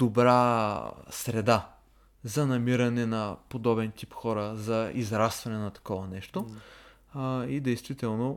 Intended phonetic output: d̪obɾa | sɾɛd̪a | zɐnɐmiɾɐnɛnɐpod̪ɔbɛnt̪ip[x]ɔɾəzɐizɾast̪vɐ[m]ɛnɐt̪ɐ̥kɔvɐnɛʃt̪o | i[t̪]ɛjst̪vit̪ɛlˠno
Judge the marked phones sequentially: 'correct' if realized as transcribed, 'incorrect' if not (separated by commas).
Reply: correct, incorrect, incorrect